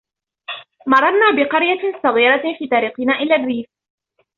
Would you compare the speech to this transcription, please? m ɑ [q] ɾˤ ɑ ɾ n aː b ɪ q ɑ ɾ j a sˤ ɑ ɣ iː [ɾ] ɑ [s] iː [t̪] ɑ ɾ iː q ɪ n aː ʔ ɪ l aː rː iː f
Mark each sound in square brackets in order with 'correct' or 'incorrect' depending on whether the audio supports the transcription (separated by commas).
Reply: incorrect, correct, incorrect, correct